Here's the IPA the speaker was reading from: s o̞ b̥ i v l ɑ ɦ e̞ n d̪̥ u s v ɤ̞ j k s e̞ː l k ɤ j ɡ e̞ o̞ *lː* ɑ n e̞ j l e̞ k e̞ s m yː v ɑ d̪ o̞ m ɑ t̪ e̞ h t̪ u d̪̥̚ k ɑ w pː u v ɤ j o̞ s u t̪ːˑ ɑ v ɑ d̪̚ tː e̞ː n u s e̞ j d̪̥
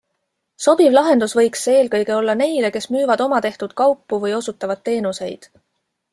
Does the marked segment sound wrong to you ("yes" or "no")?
no